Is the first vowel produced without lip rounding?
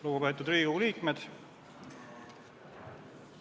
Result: no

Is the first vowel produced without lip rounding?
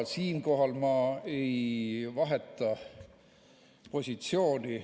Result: yes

